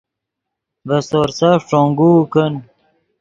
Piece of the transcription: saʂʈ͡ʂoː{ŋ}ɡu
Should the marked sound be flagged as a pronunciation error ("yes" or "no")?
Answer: no